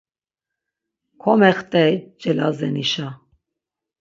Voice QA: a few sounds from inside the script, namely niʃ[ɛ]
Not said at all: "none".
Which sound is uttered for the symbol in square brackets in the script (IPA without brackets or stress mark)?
a